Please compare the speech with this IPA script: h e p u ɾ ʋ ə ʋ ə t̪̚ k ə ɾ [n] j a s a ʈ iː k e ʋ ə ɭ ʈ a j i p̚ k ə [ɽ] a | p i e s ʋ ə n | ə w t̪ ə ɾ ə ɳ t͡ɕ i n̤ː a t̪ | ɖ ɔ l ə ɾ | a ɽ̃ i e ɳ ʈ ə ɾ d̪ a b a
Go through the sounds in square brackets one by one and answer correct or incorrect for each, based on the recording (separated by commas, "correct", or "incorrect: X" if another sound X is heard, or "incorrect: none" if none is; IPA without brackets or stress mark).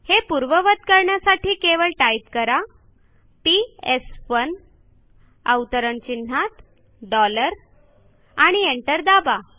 incorrect: ɳ, incorrect: ɾ